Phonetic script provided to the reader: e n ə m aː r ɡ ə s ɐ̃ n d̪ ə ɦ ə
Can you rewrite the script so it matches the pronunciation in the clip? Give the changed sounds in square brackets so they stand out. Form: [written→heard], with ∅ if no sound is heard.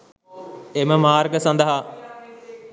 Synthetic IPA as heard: e [n→m] ə m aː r ɡ ə s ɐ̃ n d̪ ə ɦ [ə→a]